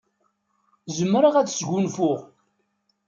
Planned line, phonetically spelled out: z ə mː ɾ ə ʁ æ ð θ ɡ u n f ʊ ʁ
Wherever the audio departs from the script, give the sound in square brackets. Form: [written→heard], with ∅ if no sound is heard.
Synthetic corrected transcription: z ə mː ɾ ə ʁ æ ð [θ→s] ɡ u n f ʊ ʁ